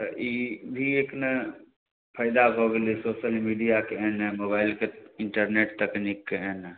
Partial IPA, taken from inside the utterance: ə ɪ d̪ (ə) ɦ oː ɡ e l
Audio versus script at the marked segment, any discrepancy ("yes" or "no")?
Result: yes